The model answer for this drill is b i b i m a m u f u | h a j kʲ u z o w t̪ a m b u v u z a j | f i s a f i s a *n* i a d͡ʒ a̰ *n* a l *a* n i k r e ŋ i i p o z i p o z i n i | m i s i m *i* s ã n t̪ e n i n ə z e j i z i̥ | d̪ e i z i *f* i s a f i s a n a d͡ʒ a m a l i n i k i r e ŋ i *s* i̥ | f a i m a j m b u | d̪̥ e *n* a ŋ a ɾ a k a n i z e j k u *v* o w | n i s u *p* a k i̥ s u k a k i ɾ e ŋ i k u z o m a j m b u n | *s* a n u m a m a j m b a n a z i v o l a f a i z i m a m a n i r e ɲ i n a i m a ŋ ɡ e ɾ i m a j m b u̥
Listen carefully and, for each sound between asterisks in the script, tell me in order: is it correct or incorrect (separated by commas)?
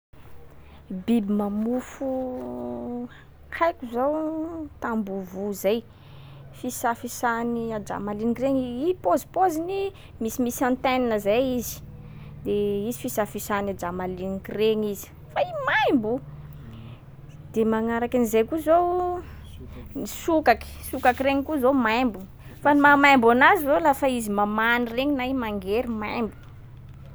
correct, incorrect, incorrect, correct, correct, incorrect, incorrect, incorrect, incorrect, incorrect